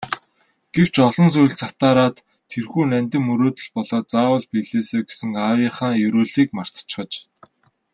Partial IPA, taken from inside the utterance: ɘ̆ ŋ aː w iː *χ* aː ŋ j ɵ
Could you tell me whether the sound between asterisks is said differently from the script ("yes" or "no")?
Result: no